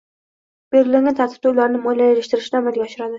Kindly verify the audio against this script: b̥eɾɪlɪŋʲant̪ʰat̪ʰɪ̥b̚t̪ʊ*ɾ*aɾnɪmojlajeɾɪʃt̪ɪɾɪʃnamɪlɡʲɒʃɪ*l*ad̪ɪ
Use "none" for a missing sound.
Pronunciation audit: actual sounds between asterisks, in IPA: l, ɾ

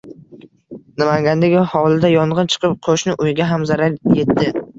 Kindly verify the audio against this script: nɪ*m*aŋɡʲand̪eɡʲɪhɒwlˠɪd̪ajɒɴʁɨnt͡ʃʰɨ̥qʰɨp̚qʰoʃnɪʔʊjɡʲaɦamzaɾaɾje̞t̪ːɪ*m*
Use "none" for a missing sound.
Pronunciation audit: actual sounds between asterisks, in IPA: m, none

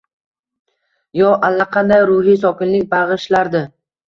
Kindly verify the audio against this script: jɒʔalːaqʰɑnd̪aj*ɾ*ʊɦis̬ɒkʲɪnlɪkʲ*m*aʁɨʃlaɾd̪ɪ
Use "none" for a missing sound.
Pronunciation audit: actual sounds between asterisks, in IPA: ɾ, b

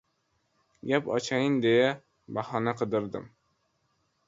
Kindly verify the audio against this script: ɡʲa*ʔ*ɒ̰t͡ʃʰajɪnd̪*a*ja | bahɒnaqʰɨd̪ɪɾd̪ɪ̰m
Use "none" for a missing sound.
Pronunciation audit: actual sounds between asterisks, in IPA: p, e

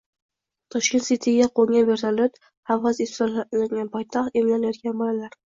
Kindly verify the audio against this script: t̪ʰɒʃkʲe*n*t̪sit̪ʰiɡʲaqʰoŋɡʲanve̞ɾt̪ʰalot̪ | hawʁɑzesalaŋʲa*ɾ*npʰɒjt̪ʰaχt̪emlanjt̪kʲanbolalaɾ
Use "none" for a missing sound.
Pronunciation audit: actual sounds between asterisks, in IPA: n, none

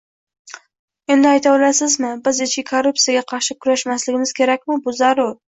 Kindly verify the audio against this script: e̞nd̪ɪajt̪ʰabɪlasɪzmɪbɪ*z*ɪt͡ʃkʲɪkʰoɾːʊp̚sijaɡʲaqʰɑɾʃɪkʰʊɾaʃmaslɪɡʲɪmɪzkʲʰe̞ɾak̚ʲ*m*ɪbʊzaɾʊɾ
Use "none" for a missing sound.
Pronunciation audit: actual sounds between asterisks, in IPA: z, m

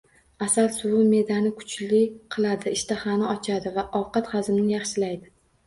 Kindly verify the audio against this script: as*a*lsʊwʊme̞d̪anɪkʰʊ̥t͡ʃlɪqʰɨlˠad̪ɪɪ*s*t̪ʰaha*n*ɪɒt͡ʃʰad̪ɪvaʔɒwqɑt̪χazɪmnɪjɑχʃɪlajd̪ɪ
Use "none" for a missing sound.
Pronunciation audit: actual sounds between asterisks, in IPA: a, ʃ, n

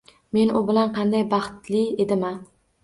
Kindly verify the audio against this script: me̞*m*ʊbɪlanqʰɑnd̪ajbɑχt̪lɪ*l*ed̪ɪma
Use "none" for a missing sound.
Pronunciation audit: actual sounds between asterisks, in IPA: n, none

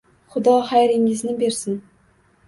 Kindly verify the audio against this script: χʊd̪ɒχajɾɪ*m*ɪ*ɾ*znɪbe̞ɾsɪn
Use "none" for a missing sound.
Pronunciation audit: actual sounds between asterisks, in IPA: ŋ, none

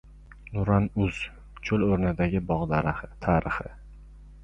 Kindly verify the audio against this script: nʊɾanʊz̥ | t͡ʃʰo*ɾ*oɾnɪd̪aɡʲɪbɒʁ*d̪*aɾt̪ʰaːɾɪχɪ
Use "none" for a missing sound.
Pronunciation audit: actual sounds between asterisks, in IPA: l, d̪

